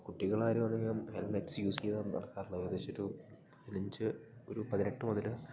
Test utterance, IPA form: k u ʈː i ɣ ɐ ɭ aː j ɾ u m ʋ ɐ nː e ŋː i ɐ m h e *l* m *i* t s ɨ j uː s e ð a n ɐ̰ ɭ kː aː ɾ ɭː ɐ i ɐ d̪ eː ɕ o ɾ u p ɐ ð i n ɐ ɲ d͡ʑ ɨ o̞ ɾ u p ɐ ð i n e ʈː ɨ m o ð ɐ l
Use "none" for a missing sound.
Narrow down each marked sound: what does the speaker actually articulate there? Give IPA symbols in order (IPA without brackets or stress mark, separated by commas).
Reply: l, e